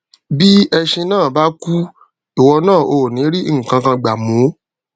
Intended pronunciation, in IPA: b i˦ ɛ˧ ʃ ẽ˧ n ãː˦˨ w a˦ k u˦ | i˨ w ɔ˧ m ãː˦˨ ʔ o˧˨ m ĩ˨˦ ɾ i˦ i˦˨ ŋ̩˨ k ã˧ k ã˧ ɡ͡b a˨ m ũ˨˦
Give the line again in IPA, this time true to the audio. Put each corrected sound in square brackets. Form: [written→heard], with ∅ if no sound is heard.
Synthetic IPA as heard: b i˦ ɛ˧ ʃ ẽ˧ n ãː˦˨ [w→b] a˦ k u˦ | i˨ w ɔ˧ [m→n] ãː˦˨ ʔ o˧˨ [m→n] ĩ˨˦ ɾ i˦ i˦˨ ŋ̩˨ k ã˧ k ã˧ ɡ͡b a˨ m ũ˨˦